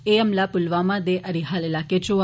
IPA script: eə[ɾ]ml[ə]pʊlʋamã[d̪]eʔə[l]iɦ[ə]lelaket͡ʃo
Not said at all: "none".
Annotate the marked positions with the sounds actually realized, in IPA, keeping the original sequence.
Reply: none, a, d̪, ɾ, a

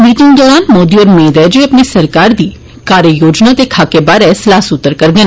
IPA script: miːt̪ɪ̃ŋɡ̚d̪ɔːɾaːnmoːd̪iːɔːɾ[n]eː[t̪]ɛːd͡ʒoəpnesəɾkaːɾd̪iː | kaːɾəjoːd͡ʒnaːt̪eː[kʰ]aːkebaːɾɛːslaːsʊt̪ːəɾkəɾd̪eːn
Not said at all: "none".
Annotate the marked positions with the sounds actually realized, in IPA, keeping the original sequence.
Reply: m, d̪, kʰ

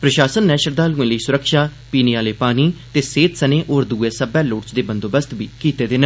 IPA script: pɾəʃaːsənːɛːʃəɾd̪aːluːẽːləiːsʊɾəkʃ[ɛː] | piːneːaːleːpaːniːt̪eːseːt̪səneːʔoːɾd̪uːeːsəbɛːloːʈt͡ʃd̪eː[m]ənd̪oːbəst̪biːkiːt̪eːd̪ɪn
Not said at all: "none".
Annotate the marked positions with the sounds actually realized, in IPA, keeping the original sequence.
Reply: aː, b

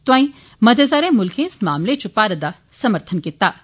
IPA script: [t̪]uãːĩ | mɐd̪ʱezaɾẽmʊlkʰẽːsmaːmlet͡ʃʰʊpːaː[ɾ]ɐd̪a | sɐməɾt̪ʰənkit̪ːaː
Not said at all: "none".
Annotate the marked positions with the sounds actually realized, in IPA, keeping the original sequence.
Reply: t̪, ɾ

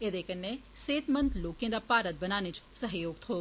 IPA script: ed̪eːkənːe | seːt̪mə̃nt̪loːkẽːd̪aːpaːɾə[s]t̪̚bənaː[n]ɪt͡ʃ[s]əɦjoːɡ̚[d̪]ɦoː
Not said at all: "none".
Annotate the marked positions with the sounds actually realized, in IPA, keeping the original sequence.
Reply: none, n, s, t̪

